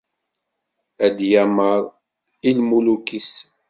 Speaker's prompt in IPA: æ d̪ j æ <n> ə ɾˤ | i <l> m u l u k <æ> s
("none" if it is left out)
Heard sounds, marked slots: m, l, i

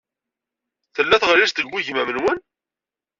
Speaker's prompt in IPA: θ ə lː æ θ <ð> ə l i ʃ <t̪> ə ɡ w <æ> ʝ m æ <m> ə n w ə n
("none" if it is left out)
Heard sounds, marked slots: ʁ, t̪, i, m

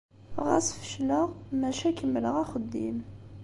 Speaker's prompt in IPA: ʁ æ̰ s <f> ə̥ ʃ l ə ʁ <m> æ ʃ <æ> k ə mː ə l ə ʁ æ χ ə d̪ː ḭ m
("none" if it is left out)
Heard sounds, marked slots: f, m, æ

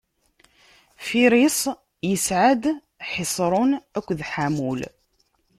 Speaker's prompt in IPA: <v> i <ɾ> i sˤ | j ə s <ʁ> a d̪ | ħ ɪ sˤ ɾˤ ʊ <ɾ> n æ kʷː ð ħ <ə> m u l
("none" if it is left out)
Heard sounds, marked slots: f, ɾ, ʕ, none, a

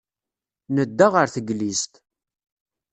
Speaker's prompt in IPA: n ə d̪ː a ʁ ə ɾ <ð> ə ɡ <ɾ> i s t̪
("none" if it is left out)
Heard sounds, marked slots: θ, l

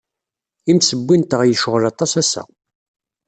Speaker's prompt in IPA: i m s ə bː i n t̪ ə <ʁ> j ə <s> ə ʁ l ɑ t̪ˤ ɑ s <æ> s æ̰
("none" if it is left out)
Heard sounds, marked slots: ʁ, ʃ, æ

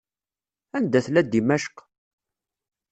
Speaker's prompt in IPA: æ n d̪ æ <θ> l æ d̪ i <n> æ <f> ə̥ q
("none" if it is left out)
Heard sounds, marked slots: θ, m, ʃ

